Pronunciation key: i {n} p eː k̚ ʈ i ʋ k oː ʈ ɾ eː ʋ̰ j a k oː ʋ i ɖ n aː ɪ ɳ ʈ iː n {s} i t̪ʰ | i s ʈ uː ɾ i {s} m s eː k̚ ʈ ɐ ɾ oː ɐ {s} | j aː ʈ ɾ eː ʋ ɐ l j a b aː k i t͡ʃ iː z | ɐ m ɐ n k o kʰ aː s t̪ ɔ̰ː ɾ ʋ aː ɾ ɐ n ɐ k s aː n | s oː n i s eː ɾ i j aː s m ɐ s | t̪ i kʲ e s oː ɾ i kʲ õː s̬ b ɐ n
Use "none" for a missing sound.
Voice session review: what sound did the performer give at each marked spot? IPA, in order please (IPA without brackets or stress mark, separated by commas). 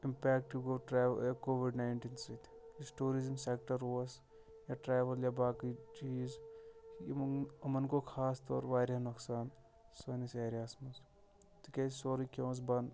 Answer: m, s, z, s